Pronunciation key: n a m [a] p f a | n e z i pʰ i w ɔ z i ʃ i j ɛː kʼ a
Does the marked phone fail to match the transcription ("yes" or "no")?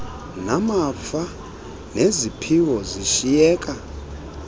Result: no